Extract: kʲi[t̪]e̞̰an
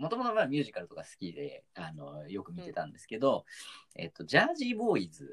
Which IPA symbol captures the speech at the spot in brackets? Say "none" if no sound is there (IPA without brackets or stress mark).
d̪